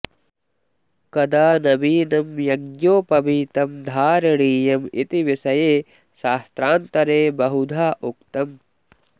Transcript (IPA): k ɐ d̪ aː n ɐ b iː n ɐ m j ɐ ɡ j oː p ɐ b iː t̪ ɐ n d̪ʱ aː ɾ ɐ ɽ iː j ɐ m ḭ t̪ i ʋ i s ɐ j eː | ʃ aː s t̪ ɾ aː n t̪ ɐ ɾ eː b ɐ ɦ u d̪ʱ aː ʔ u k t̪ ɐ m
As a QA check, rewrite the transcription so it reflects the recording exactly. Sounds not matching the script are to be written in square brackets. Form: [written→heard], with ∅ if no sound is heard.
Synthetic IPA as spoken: k ɐ d̪ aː n ɐ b iː n ɐ m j ɐ ɡ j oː p ɐ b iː t̪ ɐ [n→m] d̪ʱ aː ɾ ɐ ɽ iː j ɐ m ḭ t̪ i ʋ i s ɐ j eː | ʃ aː s t̪ ɾ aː n t̪ ɐ ɾ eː b ɐ ɦ u d̪ʱ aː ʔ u k t̪ ɐ m